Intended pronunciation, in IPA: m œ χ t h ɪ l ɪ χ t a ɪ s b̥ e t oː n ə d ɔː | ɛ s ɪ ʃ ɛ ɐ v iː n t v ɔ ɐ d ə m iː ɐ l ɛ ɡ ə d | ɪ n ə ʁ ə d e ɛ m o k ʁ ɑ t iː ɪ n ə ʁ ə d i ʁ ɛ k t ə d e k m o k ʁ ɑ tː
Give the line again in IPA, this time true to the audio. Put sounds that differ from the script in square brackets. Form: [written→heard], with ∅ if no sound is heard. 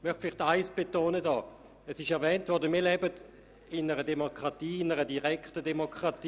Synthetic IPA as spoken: m œ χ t [h→f] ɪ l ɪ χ t a ɪ s b̥ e t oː n ə d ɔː | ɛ s ɪ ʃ ɛ ɐ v [iː→ɛː] n t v ɔ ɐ d ə m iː ɐ l ɛ [ɡ→b] ə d | ɪ n ə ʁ ə d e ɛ m o k ʁ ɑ t iː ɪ n ə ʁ ə d i ʁ ɛ k t ə d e [k→∅] m o k ʁ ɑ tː